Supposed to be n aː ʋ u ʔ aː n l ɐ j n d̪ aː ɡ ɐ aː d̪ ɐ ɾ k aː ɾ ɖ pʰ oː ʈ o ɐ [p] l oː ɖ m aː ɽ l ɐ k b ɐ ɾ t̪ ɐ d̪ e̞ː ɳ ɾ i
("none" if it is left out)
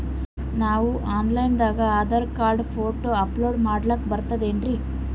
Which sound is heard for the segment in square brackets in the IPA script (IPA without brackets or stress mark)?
p